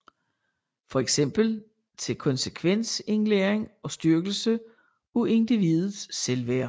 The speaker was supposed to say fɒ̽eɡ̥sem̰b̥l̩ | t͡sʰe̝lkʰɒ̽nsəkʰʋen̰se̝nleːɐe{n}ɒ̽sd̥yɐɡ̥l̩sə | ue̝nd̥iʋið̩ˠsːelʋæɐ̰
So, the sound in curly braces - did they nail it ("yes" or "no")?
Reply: no